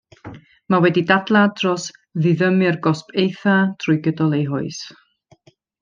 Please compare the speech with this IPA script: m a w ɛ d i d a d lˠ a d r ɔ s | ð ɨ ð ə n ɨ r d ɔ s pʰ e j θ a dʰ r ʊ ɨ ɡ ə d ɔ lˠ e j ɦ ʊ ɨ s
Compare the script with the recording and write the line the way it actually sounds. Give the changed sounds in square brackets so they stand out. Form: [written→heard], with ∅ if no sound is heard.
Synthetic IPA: m a w ɛ d i d a d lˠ a d r ɔ s | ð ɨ ð ə [n→m] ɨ r [d→ɡ] ɔ s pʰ e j θ a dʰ r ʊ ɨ ɡ ə d ɔ lˠ e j ɦ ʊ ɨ s